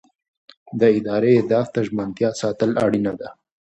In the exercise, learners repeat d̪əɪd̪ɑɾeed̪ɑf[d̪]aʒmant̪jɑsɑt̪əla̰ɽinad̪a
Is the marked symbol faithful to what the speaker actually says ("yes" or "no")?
no